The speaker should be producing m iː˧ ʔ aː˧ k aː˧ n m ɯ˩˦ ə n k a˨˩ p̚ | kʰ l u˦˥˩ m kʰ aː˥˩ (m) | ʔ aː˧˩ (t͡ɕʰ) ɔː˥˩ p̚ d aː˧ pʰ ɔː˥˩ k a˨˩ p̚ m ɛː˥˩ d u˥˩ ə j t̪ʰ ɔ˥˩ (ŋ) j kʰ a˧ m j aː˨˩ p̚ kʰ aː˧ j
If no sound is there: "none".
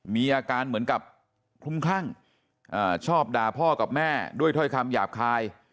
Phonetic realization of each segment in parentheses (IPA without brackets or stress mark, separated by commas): ŋ, t͡ɕʰ, none